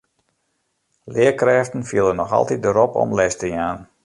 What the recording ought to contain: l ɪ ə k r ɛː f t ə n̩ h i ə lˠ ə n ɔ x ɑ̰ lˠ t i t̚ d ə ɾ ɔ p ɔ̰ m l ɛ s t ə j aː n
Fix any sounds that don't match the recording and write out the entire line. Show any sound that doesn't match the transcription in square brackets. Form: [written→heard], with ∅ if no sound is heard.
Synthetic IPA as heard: l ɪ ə k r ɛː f t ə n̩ [h→f] i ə lˠ ə n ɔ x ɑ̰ lˠ t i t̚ d ə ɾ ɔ p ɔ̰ m l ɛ s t ə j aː n